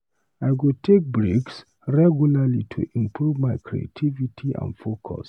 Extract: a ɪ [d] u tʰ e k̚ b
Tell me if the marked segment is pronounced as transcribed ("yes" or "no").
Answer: no